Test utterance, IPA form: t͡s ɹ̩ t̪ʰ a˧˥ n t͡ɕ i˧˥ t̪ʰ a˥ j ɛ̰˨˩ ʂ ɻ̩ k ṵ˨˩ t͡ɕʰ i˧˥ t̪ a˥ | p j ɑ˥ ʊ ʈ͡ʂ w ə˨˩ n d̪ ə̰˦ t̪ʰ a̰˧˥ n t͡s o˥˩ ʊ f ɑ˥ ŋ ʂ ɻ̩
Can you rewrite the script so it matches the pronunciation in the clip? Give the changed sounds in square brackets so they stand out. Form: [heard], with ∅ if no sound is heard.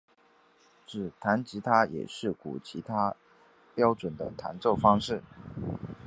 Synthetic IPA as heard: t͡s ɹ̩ t̪ʰ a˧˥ n t͡ɕ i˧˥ t̪ʰ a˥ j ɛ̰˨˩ ʂ ɻ̩ k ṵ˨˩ t͡ɕʰ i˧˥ [t̪ʰ] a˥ | p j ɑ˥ ʊ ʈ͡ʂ w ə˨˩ n d̪ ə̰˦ t̪ʰ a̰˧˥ n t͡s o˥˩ ʊ f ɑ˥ ŋ ʂ ɻ̩